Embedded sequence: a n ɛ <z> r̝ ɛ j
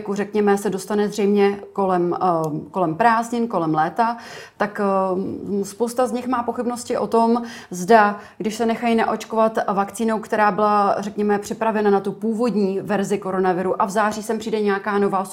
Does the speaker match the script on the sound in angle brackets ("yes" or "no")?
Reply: yes